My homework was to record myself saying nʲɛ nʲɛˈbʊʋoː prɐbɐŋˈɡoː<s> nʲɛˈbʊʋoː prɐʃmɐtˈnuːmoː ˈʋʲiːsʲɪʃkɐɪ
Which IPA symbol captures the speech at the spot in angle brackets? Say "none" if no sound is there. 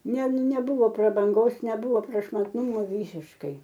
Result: s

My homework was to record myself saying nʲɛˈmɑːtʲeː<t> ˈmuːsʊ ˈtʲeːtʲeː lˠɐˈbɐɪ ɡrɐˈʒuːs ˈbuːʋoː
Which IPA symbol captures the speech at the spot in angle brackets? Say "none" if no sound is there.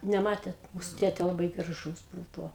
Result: t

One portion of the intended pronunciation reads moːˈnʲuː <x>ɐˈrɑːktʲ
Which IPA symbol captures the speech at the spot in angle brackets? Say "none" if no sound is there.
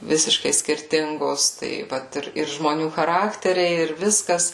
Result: x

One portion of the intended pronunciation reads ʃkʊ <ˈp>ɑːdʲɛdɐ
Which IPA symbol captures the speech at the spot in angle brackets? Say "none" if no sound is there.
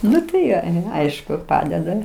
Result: p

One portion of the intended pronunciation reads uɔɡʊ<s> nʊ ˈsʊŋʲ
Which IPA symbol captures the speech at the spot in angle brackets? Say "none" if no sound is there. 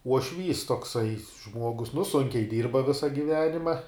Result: s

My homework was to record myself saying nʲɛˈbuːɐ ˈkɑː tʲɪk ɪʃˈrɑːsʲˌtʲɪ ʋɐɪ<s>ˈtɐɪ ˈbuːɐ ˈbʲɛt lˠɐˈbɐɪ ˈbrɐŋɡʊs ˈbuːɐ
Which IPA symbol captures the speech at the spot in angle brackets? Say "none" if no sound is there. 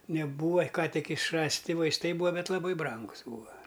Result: s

